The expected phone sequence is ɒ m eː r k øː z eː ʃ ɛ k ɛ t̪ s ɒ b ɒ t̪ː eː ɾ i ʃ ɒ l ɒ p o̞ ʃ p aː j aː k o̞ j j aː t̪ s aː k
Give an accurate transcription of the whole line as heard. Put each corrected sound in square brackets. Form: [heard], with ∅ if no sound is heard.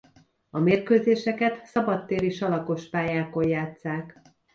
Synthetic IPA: ɒ m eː r k øː z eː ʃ ɛ k ɛ t̪ s ɒ b ɒ t̪ː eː ɾ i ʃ ɒ l ɒ [k] o̞ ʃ p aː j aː k o̞ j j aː t̪ s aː k